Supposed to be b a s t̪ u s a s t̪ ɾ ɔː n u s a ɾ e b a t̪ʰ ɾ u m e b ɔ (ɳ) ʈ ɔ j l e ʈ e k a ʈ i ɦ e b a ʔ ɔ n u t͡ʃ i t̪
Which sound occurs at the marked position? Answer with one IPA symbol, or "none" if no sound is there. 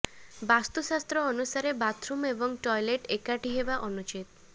ŋ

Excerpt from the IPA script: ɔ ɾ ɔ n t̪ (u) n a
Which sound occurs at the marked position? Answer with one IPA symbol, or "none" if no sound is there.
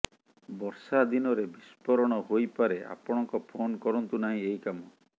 u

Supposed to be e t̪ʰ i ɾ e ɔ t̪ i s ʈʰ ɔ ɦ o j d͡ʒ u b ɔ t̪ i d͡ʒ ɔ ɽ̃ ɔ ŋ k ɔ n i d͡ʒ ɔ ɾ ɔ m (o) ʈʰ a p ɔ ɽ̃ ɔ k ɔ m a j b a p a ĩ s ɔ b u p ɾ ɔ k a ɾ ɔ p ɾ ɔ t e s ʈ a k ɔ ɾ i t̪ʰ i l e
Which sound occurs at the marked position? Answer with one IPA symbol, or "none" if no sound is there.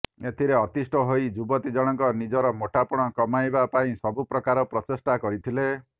o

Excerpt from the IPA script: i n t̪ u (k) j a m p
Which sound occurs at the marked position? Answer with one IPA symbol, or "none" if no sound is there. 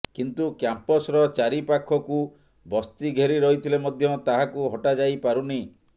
k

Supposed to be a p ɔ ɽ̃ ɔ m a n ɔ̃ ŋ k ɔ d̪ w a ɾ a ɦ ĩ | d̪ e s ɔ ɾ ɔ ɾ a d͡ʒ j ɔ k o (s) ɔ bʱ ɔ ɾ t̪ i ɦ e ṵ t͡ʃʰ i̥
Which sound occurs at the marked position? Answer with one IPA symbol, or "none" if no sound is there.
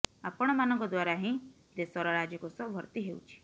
s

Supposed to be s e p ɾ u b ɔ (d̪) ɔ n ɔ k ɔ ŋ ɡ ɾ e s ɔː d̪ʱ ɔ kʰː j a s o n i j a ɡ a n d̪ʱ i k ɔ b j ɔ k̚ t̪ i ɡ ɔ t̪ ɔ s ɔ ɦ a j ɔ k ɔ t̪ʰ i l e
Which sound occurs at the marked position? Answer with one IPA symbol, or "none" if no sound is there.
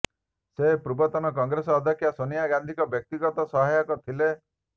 t̪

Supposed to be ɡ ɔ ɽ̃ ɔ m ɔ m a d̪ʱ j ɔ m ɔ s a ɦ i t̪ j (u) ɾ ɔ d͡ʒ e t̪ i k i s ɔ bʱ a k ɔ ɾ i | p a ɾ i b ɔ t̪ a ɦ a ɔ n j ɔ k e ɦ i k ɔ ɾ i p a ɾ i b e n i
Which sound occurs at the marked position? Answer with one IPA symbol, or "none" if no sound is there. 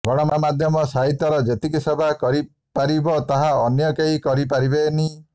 ɔ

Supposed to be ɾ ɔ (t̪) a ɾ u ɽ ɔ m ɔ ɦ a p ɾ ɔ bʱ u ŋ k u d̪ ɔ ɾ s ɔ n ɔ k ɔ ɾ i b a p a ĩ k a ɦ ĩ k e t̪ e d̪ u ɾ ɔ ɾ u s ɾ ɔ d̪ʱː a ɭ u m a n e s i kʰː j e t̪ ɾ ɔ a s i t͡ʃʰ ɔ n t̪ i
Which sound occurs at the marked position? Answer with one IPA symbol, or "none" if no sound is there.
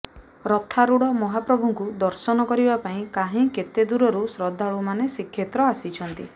t̪ʰ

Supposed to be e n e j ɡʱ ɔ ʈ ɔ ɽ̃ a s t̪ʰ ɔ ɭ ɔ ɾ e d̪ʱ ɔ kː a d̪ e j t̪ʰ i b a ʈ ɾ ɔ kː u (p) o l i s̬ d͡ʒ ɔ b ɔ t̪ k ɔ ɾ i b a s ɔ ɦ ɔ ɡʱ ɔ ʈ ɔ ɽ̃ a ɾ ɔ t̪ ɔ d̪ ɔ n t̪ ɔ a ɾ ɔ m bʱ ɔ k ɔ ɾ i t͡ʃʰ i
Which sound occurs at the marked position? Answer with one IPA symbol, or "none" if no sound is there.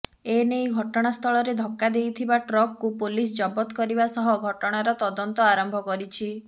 p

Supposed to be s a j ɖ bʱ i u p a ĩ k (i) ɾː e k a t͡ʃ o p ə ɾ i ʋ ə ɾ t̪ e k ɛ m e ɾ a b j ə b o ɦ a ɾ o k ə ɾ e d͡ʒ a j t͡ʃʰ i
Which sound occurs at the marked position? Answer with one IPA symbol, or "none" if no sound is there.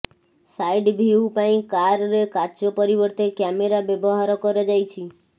a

